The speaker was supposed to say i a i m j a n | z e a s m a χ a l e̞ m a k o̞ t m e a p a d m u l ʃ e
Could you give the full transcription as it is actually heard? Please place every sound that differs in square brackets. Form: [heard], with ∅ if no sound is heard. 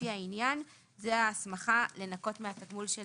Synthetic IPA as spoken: i a i [n] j a n | z e a s m a χ a l e̞ [n] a k o̞ t m e a [t] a [ɡ] m u l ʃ e